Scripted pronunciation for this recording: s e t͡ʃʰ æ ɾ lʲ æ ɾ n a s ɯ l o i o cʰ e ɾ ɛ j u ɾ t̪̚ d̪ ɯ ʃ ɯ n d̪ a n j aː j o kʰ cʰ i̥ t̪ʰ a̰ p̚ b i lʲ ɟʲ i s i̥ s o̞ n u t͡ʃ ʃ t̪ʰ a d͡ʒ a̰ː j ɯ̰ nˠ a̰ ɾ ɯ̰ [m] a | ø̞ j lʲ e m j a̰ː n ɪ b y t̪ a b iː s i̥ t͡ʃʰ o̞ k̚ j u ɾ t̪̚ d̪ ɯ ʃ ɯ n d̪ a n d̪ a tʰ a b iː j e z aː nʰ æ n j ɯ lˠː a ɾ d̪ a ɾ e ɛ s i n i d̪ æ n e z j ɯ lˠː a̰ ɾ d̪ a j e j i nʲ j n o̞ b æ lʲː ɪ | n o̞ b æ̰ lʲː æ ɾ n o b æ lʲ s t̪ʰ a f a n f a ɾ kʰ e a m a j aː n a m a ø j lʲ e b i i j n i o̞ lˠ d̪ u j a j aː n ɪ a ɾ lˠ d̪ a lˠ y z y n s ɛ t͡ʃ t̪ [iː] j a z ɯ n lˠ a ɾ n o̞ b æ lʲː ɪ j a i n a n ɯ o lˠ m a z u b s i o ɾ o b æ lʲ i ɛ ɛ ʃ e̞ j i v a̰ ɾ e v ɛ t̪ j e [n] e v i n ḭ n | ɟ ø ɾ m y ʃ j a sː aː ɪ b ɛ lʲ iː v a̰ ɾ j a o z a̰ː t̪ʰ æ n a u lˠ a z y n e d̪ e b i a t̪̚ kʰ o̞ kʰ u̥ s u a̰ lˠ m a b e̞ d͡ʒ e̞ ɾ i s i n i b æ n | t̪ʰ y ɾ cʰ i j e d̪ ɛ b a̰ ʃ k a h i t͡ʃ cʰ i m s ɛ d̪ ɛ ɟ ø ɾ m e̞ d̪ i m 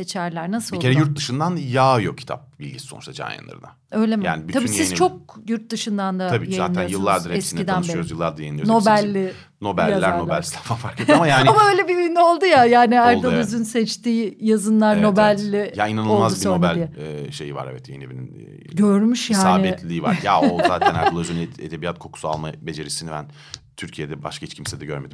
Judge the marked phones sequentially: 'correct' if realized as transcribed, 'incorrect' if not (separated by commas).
incorrect, correct, correct